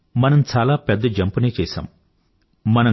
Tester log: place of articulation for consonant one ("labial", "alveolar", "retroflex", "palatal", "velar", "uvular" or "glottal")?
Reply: labial